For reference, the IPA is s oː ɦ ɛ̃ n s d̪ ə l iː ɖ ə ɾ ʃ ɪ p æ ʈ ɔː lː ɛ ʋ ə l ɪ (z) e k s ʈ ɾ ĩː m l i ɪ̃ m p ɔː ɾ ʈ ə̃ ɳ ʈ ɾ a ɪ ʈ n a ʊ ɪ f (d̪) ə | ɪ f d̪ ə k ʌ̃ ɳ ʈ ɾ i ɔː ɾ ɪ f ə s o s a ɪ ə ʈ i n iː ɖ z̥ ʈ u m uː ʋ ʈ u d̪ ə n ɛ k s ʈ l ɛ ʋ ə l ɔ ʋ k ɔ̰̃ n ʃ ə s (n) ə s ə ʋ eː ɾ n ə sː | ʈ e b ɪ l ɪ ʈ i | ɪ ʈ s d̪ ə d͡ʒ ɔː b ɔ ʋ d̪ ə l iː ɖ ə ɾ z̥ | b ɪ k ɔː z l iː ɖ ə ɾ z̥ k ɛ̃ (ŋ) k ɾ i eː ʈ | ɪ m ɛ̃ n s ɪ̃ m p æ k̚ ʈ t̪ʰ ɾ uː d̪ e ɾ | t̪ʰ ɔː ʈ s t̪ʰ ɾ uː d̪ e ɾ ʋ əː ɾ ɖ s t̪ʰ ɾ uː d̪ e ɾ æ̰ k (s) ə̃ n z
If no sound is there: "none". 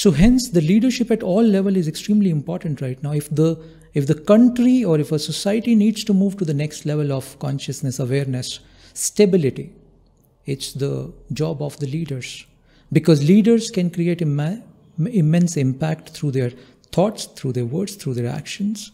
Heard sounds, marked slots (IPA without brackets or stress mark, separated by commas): z, d̪, n, n, ʃ